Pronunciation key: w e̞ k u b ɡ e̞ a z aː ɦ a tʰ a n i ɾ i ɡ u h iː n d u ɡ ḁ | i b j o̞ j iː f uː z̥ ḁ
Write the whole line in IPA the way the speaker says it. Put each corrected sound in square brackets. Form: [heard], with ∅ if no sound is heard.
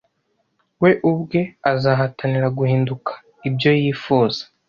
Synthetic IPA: w e̞ [ʔ] u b ɡ e̞ a z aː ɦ a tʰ a n i ɾ [a] ɡ u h iː n d u [k] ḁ | i b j o̞ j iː f uː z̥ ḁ